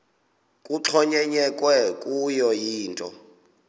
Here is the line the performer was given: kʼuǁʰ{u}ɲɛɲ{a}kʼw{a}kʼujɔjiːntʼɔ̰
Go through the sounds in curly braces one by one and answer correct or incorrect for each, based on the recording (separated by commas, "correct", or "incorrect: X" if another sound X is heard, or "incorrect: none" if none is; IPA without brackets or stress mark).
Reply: incorrect: ɔ, incorrect: ɛ, incorrect: ɛ